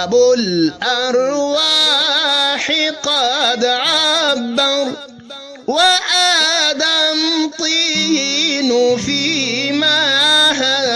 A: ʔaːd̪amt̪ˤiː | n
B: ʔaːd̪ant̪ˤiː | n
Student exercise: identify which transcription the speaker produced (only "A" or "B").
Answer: A